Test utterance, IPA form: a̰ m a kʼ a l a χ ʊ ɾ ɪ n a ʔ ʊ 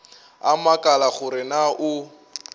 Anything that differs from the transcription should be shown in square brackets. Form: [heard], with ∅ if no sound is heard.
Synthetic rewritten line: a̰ m a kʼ a l a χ ʊ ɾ ɪ n a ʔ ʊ

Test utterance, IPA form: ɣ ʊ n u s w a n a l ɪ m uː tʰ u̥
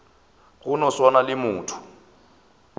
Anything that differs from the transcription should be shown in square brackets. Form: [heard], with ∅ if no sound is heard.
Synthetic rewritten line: ɣ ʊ n [ɔ] s w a n a l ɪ m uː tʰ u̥

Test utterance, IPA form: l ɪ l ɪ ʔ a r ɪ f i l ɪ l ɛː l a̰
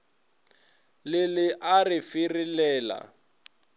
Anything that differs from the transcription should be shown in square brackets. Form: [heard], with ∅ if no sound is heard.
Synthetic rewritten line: l ɪ l ɪ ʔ a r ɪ f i [r] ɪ l ɛː l a̰

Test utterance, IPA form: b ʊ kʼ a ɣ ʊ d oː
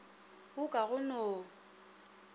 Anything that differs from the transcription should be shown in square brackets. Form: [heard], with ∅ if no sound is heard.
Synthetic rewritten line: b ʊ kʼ a ɣ ʊ [n] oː

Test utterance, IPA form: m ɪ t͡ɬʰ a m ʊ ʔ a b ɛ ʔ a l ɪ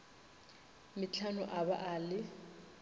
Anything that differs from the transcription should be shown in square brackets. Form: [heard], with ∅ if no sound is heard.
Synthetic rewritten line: m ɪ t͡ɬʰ a [n] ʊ ʔ a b [a] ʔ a l ɪ

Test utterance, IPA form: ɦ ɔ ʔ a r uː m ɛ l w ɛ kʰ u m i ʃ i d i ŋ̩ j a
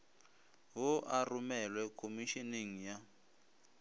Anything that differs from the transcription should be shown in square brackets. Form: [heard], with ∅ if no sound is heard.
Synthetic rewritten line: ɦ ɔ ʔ a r [u] m ɛ l w ɛ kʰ [o] m i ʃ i [n] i ŋ̩ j a

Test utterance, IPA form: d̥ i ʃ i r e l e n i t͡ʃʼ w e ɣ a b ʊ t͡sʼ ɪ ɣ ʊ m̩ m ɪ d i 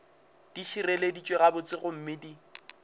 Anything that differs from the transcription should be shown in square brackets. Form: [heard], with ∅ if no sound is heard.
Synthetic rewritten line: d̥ i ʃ i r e l e [d] i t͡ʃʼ w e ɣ a b ʊ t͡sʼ ɪ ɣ ʊ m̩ m ɪ d i

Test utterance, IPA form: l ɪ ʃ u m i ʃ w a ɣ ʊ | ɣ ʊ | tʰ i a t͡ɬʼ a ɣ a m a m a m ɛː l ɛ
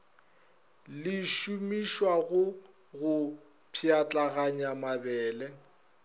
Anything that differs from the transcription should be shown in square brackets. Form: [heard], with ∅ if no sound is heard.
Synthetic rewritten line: l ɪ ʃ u m i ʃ w a ɣ ʊ | ɣ ʊ | [pʰ] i a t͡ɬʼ a ɣ a [ɲ] a m a [b] ɛː l ɛ

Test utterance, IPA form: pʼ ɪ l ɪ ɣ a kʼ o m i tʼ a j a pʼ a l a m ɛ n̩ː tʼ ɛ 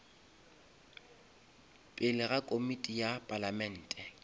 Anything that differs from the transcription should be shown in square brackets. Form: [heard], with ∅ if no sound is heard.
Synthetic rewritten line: pʼ ɪ l ɪ ɣ a kʼ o m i tʼ [i] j a pʼ a l a m ɛ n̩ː tʼ ɛ

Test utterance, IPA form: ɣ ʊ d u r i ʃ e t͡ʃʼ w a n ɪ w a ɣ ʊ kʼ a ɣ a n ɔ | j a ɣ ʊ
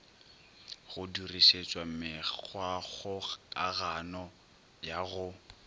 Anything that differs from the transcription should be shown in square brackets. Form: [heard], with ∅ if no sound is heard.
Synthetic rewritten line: ɣ ʊ d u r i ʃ e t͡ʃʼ w a [m] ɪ w a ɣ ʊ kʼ a ɣ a n ɔ | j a ɣ ʊ

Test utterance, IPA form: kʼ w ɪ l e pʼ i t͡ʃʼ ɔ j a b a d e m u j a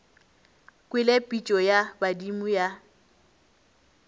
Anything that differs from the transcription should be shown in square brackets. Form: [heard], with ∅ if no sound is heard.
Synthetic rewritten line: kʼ w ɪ l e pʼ i t͡ʃʼ ɔ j a b a d [i] m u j a

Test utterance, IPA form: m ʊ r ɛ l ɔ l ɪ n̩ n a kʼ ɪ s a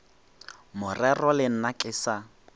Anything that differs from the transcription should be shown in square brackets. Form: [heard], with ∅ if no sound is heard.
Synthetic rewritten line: m ʊ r ɛ [r] ɔ l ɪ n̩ n a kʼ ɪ s a

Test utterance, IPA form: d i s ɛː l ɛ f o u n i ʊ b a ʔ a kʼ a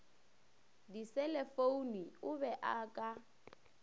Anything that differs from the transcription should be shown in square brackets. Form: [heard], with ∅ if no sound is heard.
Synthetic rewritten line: d i s [ɛ] l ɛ f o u n i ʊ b [ɛ] ʔ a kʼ a

